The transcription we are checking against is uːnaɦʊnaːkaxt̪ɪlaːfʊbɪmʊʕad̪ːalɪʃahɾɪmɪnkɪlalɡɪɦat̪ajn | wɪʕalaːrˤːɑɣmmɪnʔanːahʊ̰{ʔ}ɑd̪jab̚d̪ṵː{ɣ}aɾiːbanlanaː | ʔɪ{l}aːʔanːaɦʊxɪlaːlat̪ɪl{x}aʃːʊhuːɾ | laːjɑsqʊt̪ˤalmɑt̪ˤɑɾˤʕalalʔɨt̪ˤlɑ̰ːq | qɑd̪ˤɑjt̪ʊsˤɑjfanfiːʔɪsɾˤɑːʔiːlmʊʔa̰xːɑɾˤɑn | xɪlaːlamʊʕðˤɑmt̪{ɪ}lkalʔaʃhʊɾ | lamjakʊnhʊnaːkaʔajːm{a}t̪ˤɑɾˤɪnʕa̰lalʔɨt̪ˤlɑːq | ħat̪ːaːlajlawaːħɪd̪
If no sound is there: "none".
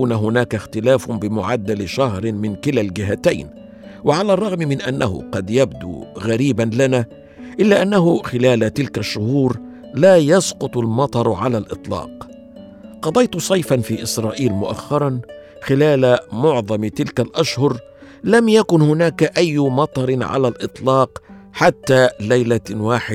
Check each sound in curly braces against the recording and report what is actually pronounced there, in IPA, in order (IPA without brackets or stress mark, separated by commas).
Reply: q, ɣ, lː, k, ɪ, ɑ